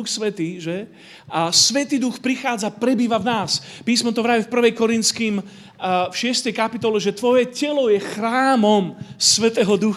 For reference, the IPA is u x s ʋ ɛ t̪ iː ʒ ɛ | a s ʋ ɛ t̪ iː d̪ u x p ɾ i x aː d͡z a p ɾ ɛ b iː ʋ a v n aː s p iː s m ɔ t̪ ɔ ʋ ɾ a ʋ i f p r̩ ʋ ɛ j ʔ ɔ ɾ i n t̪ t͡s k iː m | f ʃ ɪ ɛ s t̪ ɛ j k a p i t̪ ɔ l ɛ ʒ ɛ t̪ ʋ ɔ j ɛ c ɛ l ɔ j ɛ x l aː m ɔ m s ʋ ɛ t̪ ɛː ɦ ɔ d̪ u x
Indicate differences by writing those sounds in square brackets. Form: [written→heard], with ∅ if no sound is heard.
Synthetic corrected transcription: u x s ʋ ɛ t̪ iː ʒ ɛ | a s ʋ ɛ t̪ iː d̪ u x p ɾ i x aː d͡z a p ɾ ɛ b iː ʋ a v n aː s p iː s m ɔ t̪ ɔ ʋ ɾ a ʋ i f p r̩ ʋ ɛ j [ʔ→k] ɔ ɾ i n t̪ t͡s k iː m | f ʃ ɪ ɛ s t̪ ɛ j k a p i t̪ ɔ l ɛ ʒ ɛ t̪ ʋ ɔ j ɛ c ɛ l ɔ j ɛ x [l→ɾ] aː m ɔ m s ʋ ɛ t̪ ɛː ɦ ɔ d̪ u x